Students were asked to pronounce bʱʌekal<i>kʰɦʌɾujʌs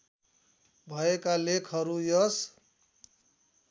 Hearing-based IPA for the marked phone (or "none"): e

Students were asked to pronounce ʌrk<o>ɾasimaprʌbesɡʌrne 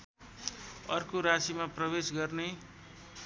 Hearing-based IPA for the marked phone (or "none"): o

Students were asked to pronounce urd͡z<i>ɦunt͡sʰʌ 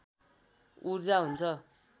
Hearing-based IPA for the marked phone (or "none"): a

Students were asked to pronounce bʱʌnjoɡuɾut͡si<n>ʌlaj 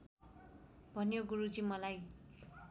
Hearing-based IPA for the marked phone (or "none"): m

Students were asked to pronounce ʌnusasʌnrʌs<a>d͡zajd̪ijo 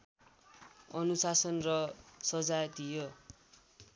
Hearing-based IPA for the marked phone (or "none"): ʌ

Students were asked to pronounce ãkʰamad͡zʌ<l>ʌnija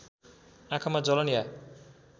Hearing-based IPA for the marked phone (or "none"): l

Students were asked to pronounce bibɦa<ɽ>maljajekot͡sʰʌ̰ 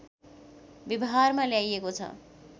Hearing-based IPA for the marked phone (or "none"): r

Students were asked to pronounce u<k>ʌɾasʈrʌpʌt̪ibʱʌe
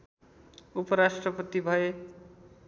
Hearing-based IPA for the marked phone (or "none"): p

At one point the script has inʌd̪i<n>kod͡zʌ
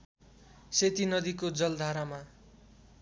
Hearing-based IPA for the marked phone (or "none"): none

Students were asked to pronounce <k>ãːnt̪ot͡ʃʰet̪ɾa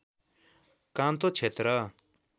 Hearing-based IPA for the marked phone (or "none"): k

